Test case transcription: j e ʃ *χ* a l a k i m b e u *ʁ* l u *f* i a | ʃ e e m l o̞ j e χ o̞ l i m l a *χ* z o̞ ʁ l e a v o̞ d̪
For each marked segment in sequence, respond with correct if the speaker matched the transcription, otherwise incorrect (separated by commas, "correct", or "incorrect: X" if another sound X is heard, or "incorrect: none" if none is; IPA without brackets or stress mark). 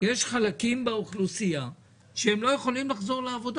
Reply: correct, incorrect: χ, incorrect: s, correct